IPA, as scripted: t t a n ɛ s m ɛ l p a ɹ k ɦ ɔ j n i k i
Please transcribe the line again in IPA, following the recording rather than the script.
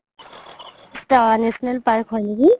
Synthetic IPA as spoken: s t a n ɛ s n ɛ l p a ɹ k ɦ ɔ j n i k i